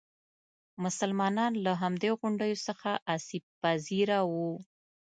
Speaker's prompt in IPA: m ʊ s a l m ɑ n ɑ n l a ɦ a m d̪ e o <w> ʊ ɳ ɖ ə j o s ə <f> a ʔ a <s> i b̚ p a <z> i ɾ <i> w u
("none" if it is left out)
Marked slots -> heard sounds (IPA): ɣ, x, s, z, a

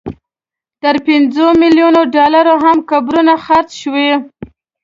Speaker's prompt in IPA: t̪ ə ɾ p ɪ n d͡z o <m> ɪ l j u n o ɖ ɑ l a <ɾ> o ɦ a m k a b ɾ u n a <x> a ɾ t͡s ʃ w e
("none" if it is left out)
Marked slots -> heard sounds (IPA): m, ɾ, x

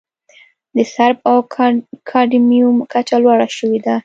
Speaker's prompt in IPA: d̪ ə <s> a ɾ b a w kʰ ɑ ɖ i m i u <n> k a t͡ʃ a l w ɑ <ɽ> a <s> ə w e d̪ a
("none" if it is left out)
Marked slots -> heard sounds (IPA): s, m, ɽ, ʃ

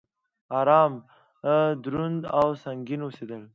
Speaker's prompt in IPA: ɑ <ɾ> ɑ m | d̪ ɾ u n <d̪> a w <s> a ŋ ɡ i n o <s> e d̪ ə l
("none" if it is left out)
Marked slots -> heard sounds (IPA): ɾ, d̪, s, s

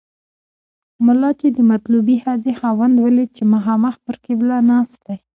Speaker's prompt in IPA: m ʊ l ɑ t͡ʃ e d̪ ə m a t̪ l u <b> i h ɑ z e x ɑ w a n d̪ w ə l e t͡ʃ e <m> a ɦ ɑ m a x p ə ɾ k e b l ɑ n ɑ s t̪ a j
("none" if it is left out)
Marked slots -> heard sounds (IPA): b, m

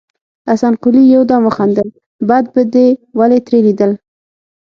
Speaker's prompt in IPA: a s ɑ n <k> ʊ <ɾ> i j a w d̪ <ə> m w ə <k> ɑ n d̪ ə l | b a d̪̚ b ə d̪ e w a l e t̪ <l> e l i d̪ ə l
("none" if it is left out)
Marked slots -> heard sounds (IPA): q, l, ɑ, x, ɾ

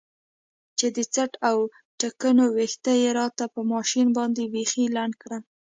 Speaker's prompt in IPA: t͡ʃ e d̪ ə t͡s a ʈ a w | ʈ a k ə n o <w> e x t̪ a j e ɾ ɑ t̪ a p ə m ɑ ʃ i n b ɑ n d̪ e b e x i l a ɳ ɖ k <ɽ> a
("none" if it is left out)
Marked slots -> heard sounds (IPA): w, ɽ

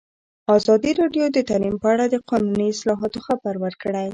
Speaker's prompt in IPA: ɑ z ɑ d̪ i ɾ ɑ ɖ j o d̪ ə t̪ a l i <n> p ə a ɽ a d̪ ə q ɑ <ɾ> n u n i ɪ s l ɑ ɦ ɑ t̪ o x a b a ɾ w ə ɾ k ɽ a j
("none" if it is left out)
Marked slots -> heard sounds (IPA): m, none

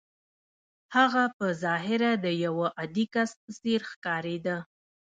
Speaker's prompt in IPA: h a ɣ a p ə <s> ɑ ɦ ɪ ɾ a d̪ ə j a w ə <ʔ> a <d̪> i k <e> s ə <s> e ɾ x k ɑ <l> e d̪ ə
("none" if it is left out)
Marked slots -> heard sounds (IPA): z, ʔ, d̪, a, s, ɾ

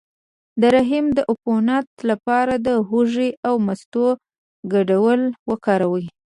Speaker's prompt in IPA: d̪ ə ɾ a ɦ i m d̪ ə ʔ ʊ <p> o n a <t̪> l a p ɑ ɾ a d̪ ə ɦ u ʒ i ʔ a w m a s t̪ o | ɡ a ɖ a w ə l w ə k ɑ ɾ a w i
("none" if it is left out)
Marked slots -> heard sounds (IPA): p, t̪

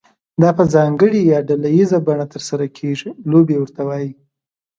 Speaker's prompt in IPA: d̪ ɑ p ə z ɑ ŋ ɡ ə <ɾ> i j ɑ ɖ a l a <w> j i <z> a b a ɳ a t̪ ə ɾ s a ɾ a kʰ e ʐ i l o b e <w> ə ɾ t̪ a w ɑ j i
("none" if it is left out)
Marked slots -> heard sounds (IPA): ɽ, none, z, w

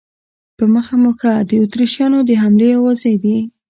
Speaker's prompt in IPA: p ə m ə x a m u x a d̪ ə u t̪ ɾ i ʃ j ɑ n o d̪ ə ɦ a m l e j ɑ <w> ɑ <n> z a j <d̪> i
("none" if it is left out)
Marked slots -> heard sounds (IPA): w, none, d̪

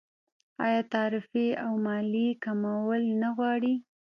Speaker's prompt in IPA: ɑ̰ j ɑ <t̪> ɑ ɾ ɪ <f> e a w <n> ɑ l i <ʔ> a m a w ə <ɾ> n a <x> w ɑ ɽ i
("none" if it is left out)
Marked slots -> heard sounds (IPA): t̪, f, m, k, l, ɣ

